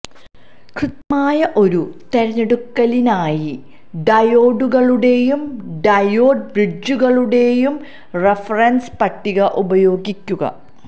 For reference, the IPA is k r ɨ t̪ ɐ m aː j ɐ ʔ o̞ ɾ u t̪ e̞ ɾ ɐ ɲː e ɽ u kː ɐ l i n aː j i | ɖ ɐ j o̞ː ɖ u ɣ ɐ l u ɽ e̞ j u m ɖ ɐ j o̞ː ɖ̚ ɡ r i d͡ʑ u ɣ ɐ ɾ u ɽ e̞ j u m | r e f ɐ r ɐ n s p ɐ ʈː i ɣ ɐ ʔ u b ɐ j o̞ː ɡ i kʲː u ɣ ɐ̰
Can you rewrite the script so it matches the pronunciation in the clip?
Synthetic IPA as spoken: k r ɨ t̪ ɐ m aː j ɐ ʔ o̞ ɾ u t̪ e̞ ɾ ɐ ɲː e ɽ u kː ɐ l i n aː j i | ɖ ɐ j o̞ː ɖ u ɣ ɐ ɭ u ɽ e̞ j u m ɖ ɐ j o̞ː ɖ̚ b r i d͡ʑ u ɣ ɐ ɭ u ɽ e̞ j u m | r e f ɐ r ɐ n s p ɐ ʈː i ɣ ɐ ʔ u b ɐ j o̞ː ɡ i kʲː u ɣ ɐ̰